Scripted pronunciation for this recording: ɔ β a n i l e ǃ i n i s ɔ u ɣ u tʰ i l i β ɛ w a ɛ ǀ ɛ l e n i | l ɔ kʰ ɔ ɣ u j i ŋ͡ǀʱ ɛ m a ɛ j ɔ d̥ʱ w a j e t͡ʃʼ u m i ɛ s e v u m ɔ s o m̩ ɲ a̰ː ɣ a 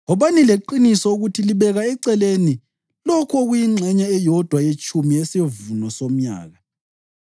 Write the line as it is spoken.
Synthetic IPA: ɔ β a n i l e ǃ i n i s ɔ u ɣ u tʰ i l i β ɛ ɣ a ɛ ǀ ɛ l e n i | l ɔ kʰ ɔ ɣ u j i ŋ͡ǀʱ ɛ ɲ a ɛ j ɔ d̥ʱ w a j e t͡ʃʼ u m i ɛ s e v u n ɔ s o m̩ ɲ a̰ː ɣ a